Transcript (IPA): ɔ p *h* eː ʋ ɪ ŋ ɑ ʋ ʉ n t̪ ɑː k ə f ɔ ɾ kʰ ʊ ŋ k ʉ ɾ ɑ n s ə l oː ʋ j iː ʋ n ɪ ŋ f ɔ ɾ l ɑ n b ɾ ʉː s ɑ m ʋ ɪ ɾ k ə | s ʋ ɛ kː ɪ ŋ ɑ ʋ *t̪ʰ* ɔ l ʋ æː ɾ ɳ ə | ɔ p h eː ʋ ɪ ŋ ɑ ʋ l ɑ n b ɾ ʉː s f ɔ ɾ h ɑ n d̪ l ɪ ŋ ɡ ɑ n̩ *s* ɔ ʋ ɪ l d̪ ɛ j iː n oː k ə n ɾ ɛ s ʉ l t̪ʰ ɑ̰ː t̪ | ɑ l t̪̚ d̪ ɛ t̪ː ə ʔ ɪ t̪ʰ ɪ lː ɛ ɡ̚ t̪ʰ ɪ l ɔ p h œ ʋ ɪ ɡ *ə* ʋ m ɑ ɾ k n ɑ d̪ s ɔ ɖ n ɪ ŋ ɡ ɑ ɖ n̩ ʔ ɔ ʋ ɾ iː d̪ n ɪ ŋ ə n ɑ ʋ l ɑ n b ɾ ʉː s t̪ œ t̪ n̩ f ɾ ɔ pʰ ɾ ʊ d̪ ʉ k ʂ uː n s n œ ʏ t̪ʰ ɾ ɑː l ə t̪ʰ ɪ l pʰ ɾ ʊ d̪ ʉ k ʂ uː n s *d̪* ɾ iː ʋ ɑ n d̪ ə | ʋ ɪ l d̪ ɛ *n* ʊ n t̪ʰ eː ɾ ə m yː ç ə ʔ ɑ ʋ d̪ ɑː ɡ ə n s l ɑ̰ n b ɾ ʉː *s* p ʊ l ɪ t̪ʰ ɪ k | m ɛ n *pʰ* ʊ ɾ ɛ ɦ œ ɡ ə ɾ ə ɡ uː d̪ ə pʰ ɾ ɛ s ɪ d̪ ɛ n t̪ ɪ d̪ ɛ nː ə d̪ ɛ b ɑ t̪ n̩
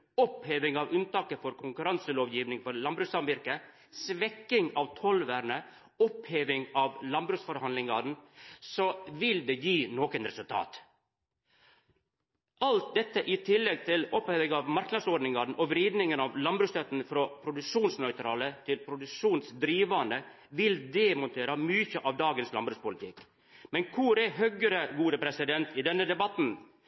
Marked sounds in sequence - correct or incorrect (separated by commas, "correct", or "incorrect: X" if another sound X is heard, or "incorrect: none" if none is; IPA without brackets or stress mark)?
correct, correct, correct, incorrect: ɑ, correct, incorrect: m, correct, incorrect: kʰ